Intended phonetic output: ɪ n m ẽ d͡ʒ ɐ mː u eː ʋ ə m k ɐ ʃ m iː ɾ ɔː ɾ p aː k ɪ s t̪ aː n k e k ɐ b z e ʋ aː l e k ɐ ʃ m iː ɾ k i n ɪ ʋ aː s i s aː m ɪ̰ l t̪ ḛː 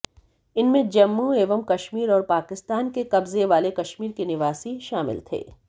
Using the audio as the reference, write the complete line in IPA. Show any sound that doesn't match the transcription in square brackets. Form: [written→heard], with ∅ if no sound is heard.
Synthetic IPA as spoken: ɪ n m ẽ d͡ʒ ɐ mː u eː ʋ ə m k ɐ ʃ m iː ɾ ɔː ɾ p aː k ɪ s t̪ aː n k e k ɐ b z e ʋ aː l e k ɐ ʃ m iː ɾ k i n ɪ ʋ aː s i [s→ʃ] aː m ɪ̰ l [t̪→t̪ʰ] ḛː